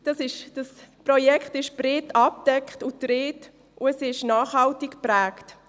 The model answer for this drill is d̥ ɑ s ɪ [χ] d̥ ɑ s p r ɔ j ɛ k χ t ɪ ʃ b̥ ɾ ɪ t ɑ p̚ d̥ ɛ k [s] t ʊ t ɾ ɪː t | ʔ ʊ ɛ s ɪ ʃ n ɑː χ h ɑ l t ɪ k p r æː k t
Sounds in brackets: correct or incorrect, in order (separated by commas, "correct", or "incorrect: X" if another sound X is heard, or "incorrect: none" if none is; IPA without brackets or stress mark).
incorrect: ʃ, incorrect: χ